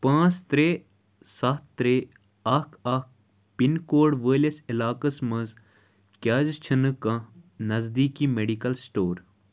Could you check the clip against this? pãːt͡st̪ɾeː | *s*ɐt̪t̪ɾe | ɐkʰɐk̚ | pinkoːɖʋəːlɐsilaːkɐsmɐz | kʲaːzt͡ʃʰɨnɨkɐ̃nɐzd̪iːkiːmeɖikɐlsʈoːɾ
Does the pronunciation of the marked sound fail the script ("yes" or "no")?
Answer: no